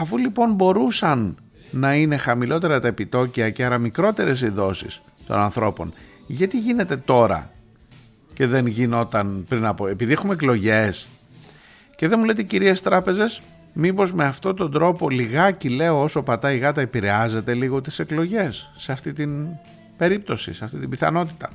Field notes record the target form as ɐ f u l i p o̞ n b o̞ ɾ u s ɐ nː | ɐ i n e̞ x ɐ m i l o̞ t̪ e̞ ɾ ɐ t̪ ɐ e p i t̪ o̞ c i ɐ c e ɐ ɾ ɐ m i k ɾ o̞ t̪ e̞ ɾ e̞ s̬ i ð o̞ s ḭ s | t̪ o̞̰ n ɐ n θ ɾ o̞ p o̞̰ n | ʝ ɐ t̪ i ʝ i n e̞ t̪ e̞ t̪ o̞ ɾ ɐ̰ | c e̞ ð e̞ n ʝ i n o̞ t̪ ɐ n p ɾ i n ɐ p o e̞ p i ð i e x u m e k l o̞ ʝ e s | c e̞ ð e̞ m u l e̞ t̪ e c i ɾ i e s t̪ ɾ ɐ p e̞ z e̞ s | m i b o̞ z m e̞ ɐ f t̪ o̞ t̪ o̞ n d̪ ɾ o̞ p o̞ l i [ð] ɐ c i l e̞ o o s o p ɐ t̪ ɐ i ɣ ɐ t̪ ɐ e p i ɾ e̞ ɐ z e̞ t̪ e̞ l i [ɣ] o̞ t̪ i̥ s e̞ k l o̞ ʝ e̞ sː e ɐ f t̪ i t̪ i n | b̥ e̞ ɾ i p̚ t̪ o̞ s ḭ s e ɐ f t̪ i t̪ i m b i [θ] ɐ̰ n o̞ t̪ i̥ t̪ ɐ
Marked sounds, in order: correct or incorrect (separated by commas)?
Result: incorrect, correct, correct